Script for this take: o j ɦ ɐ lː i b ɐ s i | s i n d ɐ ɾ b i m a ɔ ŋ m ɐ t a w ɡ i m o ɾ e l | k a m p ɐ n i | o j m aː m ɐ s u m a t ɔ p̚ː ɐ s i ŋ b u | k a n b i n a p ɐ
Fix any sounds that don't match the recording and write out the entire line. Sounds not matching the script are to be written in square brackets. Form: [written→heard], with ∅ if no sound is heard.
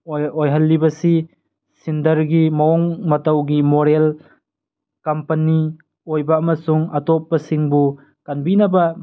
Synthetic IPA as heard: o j ɦ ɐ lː i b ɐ s i | s i n d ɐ ɾ [b→ɡ] i m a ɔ ŋ m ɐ t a w ɡ i m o ɾ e l | k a m p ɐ n i | o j [m→b] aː m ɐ s u [m→ŋ] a t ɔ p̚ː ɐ s i ŋ b u | k a n b i n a [p→b] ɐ